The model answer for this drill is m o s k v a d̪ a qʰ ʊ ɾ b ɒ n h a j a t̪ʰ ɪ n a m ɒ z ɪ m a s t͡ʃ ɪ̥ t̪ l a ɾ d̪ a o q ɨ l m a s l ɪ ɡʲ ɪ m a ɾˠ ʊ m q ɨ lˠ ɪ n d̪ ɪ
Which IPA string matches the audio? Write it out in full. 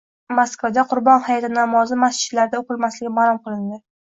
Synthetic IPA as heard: m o s k v a d̪ a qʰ ʊ ɾ b ɒ n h a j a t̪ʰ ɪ n a m ɒ z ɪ m a s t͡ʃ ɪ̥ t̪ l a ɾ d̪ a o q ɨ l m a s l ɪ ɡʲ ɪ m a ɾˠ ʊ m q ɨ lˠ ɪ n d̪ ɪ